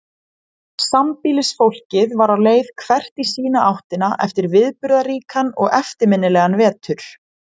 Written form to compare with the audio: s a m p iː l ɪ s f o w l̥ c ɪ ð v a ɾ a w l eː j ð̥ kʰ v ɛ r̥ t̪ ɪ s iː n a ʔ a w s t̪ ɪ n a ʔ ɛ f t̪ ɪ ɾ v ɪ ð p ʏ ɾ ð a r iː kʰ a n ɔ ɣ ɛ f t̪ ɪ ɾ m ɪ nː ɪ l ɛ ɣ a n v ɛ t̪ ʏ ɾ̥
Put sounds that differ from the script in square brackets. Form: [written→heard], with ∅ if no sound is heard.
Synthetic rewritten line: s a m p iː l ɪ s f o w l̥ c ɪ ð v a ɾ a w l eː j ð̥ kʰ v ɛ r̥ t̪ [ɪ→i] s iː n a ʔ a w [s→h] t̪ ɪ n a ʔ ɛ f t̪ ɪ ɾ v ɪ ð p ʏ ɾ ð a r iː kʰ a n ɔ ɣ ɛ f t̪ ɪ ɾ m ɪ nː ɪ l ɛ ɣ a n v [ɛ→ɛː] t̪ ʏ ɾ̥

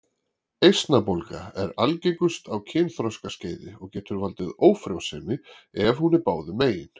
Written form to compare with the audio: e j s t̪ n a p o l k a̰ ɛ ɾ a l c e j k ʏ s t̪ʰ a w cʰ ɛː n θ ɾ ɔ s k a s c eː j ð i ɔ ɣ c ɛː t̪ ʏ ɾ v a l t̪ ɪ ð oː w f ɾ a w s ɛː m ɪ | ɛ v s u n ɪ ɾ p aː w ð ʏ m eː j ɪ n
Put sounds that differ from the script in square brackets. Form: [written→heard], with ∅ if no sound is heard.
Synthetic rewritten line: e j s t̪ n a p o l k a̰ ɛ ɾ a l c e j k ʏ s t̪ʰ a w cʰ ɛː n θ ɾ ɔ s k a s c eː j ð [i→ɪ] ɔ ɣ c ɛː t̪ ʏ ɾ v a l t̪ ɪ ð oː w f ɾ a w s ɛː m ɪ | ɛ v [s→h] u n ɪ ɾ p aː w ð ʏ m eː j ɪ n

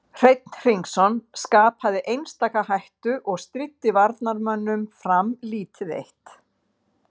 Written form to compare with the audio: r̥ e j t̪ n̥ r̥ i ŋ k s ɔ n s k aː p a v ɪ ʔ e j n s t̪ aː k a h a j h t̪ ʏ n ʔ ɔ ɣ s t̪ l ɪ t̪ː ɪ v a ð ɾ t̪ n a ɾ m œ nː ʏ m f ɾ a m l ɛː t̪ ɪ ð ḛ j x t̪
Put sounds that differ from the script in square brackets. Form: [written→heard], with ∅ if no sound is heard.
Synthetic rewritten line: r̥ e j t̪ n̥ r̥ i ŋ k s ɔ n s k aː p a [v→ð] ɪ ʔ e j n s t̪ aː k a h a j h t̪ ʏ [n→∅] ʔ ɔ ɣ s t̪ [l→ɾ] ɪ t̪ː ɪ v a [ð→∅] ɾ t̪ n a ɾ m œ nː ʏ m f ɾ a m l [ɛː→iː] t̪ ɪ ð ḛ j [x→h] t̪

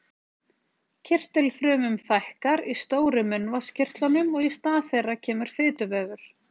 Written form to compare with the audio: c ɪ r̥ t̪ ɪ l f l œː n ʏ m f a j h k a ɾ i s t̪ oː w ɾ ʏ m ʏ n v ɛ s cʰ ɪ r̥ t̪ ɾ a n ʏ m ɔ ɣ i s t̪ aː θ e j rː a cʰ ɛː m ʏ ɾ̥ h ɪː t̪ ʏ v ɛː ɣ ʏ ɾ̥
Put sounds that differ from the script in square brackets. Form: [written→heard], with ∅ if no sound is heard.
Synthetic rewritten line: [c→cʰ] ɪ r̥ t̪ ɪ l f [l→ɾ] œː [n→m] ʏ m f a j h k a ɾ i s t̪ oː w ɾ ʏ m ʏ n v [ɛ→a] s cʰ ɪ r̥ t̪ [ɾ→l] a n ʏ m ɔ ɣ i s t̪ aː θ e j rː a cʰ ɛː m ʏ ɾ̥ [h→f] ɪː t̪ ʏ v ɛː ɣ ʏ ɾ̥

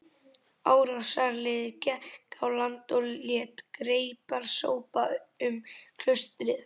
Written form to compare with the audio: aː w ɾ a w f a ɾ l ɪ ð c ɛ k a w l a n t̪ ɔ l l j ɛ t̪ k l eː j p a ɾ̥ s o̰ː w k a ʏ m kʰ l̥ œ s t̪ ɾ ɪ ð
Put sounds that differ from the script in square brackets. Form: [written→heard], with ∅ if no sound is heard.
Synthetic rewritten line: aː w ɾ a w [f→s] a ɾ l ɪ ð c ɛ k a w l a n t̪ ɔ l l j ɛ t̪ k [l→ɾ] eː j p a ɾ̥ s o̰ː w [k→p] a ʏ m kʰ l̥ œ s t̪ ɾ ɪ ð

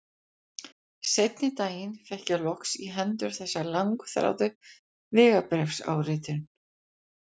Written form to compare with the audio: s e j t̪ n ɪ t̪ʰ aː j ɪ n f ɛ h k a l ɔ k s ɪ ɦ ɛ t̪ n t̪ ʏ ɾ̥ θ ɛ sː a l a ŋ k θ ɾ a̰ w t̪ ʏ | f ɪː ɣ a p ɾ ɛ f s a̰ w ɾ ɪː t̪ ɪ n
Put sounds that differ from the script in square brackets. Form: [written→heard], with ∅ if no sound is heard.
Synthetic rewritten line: s e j t̪ n ɪ [t̪ʰ→t̪] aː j ɪ n f ɛ h [k→c] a l ɔ k s [ɪ→i] ɦ ɛ [t̪→∅] n t̪ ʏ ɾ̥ θ ɛ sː a l a ŋ k θ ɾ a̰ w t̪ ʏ | [f→v] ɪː ɣ a p ɾ ɛ f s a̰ w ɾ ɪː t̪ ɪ n

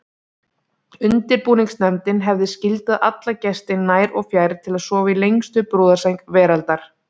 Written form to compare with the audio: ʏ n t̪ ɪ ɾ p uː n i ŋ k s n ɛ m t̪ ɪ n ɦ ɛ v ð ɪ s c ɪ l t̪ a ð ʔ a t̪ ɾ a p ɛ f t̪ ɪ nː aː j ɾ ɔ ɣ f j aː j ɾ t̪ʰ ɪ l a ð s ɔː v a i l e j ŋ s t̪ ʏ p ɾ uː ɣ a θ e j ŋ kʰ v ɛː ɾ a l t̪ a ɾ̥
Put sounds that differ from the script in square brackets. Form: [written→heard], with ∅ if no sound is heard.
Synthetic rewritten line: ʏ n t̪ ɪ ɾ p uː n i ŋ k s n ɛ m t̪ ɪ n ɦ ɛ v ð ɪ s c ɪ l t̪ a ð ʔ a t̪ [ɾ→l] a [p→c] ɛ [f→s] t̪ ɪ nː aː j ɾ ɔ ɣ f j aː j ɾ t̪ʰ ɪ l a ð s ɔː v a i l e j ŋ s t̪ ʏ p ɾ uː [ɣ→ð] a [θ→s] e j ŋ [kʰ→k] v ɛː ɾ a l t̪ a ɾ̥

